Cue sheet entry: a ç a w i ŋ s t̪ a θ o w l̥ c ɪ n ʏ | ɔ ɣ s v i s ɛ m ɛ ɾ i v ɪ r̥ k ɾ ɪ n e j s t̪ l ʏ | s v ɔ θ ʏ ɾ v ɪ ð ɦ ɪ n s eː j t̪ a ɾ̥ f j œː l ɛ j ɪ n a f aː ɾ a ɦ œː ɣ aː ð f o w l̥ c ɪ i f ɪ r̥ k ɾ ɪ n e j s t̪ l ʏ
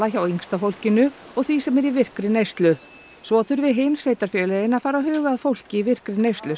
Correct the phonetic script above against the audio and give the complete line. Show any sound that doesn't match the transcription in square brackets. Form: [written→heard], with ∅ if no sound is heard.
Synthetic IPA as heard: a ç a w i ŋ s t̪ a [θ→f] o w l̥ c ɪ n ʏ | ɔ ɣ [s→θ] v i s ɛ m ɛ ɾ i v ɪ r̥ k ɾ ɪ n e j s t̪ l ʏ | s v ɔ θ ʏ ɾ v ɪ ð ɦ ɪ n s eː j t̪ a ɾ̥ f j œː l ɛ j ɪ n a f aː ɾ a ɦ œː ɣ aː ð f o w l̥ c ɪ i [f→v] ɪ r̥ k ɾ ɪ n e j s t̪ l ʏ